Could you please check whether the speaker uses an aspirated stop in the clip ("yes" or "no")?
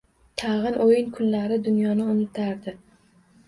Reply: yes